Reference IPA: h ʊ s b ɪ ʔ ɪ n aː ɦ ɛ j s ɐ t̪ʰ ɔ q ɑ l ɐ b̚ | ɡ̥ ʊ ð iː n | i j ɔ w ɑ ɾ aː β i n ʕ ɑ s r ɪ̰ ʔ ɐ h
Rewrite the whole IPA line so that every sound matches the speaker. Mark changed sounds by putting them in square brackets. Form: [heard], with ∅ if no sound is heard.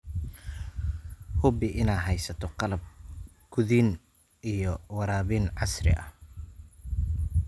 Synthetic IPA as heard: h ʊ [∅] b ɪ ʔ ɪ n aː ɦ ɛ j s ɐ t̪ʰ ɔ q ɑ l ɐ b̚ | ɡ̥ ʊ ð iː n | i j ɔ w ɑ ɾ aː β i n ʕ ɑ s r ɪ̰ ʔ ɐ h